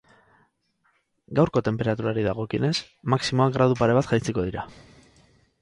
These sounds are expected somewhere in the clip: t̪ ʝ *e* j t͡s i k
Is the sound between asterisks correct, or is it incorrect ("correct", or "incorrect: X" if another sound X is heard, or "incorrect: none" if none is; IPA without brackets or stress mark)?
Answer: incorrect: a